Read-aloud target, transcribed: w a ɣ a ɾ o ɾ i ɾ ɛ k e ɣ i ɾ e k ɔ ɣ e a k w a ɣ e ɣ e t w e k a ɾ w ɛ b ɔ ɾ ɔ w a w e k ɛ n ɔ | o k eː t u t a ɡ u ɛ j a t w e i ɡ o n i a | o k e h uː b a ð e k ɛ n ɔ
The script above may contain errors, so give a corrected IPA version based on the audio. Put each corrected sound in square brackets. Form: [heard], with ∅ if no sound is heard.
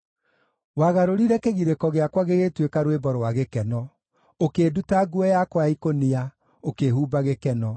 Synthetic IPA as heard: w a ɣ a ɾ o ɾ i ɾ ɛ k e ɣ i ɾ e k ɔ ɣ e a k w a ɣ e ɣ e t w e k a ɾ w [e] b ɔ ɾ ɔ w a [ɣ] e k ɛ n ɔ | o k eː [d] u t a ɡ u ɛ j a [k] w [a] i [k] o n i a | o k e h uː b a [ɣ] e k ɛ n ɔ

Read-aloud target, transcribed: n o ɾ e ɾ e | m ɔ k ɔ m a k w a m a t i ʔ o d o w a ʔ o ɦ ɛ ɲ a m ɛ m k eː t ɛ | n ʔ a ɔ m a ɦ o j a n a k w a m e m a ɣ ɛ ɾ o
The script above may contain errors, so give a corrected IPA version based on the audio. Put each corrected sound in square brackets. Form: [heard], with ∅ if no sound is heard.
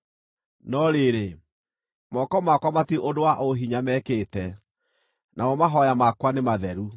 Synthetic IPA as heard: n [ɔ] ɾ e ɾ e | m ɔ k ɔ m a k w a m a t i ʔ o d o w a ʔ o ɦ [i] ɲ a m ɛ [∅] k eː t ɛ | n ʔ a ɔ m a ɦ [ɔ] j a [m] a k w a [n] e m a [ð] ɛ ɾ [u]

